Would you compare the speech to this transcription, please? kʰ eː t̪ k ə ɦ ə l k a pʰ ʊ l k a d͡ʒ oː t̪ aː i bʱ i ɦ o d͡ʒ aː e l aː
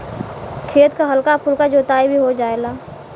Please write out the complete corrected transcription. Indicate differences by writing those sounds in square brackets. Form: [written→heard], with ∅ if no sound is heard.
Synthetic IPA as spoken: kʰ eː t̪ k [ə→a] ɦ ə l k a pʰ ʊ l k a d͡ʒ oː t̪ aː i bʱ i ɦ o d͡ʒ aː e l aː